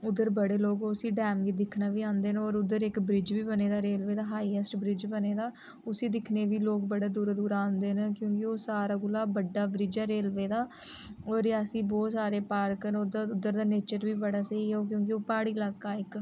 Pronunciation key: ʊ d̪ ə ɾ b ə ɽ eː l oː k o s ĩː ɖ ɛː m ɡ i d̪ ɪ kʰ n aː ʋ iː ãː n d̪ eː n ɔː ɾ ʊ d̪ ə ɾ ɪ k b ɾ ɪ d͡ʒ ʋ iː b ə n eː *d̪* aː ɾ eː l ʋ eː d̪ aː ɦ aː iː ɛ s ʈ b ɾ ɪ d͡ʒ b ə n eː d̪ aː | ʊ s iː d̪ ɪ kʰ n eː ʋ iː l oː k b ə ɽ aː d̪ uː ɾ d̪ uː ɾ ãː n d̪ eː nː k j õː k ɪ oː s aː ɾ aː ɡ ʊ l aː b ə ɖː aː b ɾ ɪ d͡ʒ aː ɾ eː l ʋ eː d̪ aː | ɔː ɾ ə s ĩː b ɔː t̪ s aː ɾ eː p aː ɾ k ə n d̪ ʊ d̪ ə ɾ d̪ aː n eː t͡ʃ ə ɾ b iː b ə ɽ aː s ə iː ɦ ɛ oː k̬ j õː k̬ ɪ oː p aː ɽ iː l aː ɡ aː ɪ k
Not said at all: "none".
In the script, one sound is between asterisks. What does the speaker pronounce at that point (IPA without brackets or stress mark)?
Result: d̪